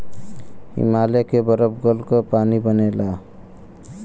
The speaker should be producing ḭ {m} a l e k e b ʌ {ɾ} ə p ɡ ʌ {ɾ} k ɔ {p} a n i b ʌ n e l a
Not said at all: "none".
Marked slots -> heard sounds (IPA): m, ɾ, l, p

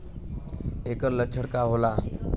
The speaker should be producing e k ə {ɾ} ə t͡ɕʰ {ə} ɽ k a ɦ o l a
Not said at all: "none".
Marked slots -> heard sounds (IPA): l, ə

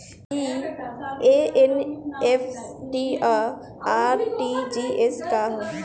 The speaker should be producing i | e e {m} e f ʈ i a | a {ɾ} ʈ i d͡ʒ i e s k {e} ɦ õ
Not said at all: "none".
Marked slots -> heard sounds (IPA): n, ɾ, a

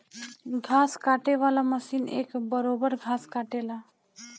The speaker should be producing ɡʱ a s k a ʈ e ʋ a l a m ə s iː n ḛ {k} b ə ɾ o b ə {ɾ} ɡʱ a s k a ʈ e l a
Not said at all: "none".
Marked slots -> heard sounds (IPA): k, ɾ

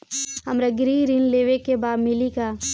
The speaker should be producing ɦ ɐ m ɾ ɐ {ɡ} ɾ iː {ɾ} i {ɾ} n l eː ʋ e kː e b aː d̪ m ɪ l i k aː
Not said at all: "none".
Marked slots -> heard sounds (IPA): ɡ, ɾ, none

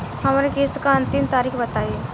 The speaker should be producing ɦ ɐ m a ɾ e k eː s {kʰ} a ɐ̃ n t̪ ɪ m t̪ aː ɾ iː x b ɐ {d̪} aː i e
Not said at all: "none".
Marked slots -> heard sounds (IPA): k, t̪

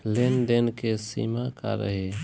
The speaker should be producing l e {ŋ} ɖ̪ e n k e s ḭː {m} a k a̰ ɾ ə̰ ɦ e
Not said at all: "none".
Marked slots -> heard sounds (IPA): n, m

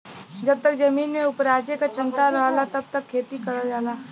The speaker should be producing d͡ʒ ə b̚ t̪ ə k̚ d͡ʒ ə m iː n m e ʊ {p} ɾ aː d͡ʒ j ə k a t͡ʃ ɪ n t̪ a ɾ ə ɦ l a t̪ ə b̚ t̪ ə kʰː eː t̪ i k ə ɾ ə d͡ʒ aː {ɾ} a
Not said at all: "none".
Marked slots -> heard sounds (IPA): p, l

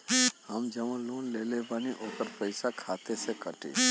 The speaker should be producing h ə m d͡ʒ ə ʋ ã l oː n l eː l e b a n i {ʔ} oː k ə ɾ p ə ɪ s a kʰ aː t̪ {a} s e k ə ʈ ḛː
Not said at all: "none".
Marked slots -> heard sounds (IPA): ʔ, e

